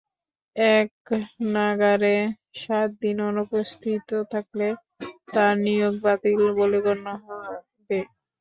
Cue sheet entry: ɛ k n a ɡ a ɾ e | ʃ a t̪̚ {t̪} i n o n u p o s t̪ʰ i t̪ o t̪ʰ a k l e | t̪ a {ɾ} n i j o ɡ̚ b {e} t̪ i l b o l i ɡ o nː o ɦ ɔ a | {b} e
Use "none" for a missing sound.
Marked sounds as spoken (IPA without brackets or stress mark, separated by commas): d̪, ɾ, a, b